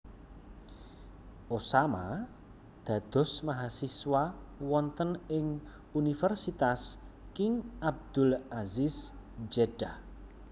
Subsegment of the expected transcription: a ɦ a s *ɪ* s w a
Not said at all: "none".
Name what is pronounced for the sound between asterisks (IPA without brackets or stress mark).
i